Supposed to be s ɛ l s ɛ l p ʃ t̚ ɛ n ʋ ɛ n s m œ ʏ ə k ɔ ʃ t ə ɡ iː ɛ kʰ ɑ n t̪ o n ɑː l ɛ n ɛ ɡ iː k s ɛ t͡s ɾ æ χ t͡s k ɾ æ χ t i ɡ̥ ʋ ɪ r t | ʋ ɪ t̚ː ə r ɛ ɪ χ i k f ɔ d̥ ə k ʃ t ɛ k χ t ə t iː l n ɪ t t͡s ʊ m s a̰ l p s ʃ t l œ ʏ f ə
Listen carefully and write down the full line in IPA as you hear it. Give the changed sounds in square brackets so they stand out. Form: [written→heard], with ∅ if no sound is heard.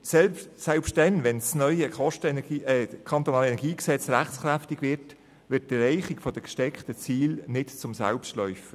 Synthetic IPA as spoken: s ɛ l s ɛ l p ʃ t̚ ɛ n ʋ ɛ n s [m→n] œ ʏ ə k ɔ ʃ t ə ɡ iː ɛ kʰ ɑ n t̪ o n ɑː l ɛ n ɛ ɡ iː k s ɛ t͡s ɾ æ χ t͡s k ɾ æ [χ→f] t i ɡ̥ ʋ ɪ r t | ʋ ɪ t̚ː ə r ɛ ɪ χ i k f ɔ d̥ ə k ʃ t ɛ k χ t ə [t→t͡s] iː l n ɪ t t͡s ʊ m s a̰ l p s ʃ t l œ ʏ f ə